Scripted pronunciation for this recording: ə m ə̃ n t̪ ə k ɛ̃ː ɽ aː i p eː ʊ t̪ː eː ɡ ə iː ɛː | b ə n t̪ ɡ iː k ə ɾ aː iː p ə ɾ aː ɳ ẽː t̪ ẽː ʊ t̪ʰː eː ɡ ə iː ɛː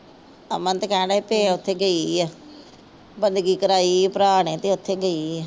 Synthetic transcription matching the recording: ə m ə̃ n t̪ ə k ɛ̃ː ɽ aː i p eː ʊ t̪ʰː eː ɡ ə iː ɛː | b ə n d̪ ɡ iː k ə ɾ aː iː p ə ɾ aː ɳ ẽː t̪ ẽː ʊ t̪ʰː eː ɡ ə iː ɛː